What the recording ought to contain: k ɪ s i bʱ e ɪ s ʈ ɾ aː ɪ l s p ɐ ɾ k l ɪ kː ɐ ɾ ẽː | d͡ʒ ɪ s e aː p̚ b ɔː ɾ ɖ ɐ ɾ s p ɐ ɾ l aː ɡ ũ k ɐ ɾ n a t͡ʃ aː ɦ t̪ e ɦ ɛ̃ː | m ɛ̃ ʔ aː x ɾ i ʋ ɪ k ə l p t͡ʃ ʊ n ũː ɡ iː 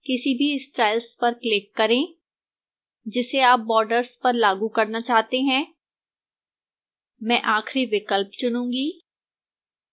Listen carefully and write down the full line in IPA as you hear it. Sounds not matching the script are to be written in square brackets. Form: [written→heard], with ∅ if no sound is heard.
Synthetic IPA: k ɪ s i bʱ [e→i] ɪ s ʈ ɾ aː ɪ l s p ɐ ɾ k l ɪ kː ɐ ɾ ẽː | d͡ʒ ɪ s e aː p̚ b ɔː ɾ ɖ [ɐ→ə] ɾ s p ɐ ɾ l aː ɡ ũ k ɐ ɾ n a t͡ʃ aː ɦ t̪ e ɦ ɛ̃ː | m ɛ̃ ʔ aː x ɾ i ʋ ɪ k ə l p t͡ʃ ʊ n ũː ɡ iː